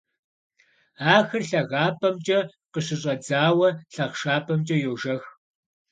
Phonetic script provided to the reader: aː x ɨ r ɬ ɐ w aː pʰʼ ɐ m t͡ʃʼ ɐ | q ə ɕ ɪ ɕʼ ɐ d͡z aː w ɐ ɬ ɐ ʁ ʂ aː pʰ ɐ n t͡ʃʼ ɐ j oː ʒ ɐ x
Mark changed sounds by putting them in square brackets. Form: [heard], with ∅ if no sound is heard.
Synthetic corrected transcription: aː x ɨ r ɬ ɐ [ɣ] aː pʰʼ ɐ m t͡ʃʼ ɐ | q ə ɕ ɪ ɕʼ ɐ d͡z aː w ɐ ɬ ɐ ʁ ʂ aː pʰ ɐ [m] t͡ʃʼ ɐ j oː ʒ ɐ x